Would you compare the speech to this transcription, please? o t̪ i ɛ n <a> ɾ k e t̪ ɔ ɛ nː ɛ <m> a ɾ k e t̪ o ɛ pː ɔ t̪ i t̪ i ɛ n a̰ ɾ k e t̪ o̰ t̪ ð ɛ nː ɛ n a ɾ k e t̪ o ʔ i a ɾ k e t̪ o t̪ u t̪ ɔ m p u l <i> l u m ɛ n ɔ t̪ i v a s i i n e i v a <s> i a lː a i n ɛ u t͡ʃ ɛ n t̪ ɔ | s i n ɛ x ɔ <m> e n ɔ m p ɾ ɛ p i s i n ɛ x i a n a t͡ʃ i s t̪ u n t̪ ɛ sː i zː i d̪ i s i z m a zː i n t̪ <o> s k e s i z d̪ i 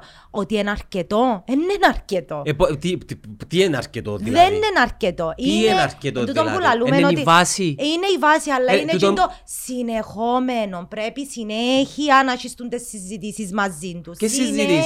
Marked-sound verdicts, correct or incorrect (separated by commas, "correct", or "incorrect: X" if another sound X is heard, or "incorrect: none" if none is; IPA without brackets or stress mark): correct, incorrect: n, incorrect: a, correct, correct, incorrect: u